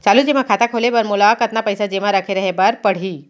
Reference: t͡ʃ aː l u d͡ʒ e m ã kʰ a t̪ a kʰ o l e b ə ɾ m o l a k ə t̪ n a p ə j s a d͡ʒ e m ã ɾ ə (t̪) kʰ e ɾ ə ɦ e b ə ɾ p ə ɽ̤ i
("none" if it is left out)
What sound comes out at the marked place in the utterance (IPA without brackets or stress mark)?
none